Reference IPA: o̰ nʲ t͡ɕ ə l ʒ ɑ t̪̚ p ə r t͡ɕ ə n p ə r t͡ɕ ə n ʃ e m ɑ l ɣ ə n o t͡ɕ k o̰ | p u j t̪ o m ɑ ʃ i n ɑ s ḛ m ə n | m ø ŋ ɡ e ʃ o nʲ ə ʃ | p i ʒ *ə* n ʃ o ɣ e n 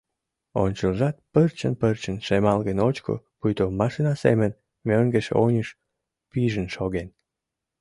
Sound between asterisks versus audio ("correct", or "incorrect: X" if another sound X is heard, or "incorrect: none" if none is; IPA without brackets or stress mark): correct